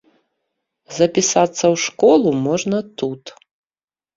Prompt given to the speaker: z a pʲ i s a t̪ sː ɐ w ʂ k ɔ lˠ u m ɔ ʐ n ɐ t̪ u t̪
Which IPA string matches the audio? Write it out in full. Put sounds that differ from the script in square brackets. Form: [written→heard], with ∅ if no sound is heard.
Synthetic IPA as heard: z [a→ɐ] pʲ i s a t̪ sː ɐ w ʂ k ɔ lˠ u m ɔ ʐ n ɐ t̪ u t̪